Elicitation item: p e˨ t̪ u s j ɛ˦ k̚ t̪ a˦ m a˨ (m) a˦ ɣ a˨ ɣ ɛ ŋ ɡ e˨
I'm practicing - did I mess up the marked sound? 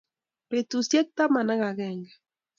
yes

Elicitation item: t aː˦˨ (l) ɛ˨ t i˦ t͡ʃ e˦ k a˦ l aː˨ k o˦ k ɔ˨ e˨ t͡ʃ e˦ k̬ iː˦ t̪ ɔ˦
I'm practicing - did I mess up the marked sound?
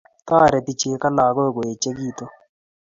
yes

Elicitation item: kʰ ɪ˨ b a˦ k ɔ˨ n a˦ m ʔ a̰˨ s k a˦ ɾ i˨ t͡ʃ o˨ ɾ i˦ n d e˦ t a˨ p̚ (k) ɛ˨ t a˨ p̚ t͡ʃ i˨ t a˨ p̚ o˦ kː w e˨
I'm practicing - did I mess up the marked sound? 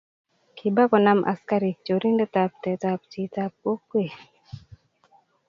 yes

